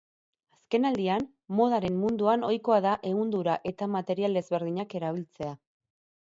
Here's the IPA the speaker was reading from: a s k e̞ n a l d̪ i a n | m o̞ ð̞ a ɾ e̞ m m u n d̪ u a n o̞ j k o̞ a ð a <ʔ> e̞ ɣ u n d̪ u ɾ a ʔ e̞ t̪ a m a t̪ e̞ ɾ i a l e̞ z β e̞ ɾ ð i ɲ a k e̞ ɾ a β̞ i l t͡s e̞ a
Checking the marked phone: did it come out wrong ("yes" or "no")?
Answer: no